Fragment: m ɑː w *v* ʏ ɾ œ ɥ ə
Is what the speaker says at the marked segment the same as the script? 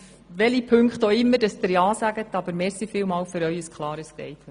no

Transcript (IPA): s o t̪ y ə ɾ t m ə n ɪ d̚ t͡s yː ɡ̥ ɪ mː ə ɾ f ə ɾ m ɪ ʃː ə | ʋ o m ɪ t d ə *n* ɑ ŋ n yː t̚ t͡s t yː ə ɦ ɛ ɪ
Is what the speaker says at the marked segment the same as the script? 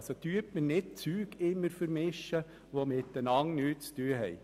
yes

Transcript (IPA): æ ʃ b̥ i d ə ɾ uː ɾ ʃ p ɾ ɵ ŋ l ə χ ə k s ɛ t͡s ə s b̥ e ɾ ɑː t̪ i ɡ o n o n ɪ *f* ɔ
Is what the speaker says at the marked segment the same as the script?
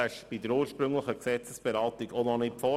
yes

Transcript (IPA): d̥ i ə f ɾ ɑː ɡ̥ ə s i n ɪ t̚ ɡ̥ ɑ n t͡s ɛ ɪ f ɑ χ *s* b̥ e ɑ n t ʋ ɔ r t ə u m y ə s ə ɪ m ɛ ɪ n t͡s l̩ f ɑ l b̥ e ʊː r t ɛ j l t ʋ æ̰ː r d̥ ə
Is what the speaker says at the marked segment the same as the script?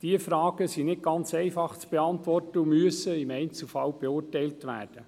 no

